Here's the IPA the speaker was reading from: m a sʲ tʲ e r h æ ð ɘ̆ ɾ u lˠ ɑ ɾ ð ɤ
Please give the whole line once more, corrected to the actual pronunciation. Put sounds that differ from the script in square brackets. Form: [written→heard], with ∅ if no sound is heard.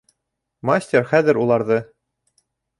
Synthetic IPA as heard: m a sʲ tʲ e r [h→χ] æ ð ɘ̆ ɾ u lˠ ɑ ɾ ð ɤ